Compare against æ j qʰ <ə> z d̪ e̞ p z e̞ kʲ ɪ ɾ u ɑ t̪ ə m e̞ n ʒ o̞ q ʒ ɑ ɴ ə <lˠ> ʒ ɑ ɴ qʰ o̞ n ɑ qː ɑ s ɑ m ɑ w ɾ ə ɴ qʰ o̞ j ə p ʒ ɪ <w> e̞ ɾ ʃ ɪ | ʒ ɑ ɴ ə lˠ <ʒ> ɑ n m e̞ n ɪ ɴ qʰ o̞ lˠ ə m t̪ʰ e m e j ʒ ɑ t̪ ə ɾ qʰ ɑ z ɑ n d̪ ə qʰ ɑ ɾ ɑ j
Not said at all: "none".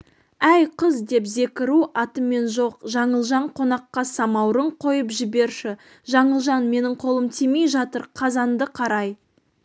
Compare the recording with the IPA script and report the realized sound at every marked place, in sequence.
ə, lˠ, b, ʒ

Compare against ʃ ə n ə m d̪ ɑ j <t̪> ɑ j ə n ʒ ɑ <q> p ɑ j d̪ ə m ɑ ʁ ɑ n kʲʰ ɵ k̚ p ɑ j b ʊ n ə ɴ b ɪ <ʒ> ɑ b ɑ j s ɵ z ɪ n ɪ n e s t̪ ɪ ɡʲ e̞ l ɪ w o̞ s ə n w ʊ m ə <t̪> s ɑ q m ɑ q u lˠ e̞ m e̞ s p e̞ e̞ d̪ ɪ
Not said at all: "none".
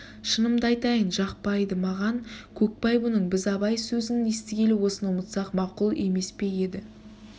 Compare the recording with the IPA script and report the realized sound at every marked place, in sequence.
t̪, q, z, t̪

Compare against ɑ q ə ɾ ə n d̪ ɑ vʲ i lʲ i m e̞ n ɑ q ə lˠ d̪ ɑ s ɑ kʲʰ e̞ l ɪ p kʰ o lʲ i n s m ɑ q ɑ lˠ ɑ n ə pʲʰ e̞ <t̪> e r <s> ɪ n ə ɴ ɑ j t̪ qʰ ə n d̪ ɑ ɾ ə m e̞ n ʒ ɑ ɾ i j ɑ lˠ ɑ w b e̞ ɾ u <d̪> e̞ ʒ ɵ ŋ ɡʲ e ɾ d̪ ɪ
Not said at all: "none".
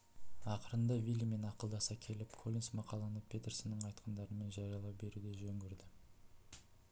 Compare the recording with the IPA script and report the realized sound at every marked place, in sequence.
t̪, s, d̪

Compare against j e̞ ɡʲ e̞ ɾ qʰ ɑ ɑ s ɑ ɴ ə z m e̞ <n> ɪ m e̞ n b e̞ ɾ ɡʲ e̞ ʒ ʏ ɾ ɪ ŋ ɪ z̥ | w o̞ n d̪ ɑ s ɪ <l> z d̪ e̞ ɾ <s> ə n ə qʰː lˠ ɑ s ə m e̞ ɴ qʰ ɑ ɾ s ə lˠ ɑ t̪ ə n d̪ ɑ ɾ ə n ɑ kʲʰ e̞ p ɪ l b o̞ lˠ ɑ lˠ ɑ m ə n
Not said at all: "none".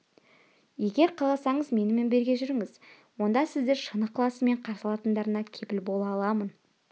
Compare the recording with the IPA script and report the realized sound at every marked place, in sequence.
n, none, ʃ

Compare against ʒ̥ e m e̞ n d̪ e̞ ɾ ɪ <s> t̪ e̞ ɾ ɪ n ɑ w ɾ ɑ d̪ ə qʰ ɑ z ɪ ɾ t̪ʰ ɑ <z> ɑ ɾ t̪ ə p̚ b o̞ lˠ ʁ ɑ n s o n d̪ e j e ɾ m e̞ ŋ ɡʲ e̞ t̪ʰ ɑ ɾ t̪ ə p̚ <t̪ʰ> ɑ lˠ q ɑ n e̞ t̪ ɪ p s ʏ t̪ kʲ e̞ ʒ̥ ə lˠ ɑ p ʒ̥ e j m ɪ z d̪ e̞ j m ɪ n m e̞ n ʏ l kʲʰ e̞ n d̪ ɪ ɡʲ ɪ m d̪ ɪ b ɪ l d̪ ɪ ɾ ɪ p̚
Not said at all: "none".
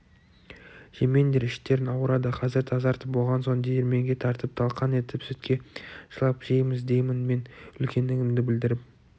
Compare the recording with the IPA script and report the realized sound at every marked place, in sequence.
ʃ, z, t̪ʰ

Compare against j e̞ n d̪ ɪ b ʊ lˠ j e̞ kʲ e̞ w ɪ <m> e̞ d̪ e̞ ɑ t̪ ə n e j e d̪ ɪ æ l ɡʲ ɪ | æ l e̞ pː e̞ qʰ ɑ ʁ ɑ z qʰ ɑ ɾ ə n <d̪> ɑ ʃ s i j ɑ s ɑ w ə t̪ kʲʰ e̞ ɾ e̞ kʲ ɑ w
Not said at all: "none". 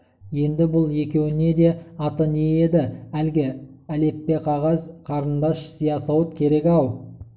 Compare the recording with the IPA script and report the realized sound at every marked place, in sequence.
n, d̪

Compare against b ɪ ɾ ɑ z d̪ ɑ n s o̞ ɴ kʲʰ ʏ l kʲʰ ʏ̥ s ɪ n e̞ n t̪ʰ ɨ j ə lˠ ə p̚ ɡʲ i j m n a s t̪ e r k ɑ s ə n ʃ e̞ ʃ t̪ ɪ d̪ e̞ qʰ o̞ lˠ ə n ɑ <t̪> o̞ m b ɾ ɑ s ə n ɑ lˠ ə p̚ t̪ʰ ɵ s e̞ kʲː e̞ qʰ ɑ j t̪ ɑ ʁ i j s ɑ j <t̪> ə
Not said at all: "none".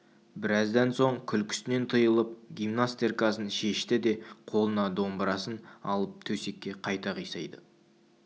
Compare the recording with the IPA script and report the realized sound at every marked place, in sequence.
d̪, d̪

